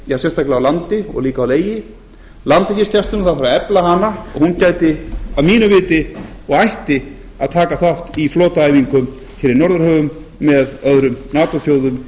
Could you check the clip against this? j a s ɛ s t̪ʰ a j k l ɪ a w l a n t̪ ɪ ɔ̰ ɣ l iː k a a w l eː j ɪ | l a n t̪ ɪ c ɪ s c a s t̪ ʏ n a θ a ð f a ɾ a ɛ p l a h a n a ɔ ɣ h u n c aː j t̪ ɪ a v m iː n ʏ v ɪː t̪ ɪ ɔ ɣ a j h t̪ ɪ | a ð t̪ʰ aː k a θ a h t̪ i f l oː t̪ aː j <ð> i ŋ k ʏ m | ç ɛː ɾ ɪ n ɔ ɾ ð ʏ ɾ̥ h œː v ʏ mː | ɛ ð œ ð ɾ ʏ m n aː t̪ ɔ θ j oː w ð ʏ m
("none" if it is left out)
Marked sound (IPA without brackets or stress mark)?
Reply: v